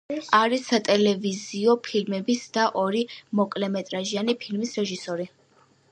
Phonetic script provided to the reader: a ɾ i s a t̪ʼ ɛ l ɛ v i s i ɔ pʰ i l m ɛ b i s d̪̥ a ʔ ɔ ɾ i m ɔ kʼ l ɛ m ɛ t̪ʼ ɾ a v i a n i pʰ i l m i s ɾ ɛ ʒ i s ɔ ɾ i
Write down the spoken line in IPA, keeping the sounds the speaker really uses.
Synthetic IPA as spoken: a ɾ i s a t̪ʼ ɛ l ɛ v i z i ɔ pʰ i l m ɛ b i s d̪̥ a ʔ ɔ ɾ i m ɔ kʼ l ɛ m ɛ t̪ʼ ɾ a ʒ i a n i pʰ i l m i s ɾ ɛ ʒ i s ɔ ɾ i